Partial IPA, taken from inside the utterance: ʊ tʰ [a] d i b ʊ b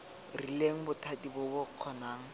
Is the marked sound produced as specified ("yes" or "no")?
yes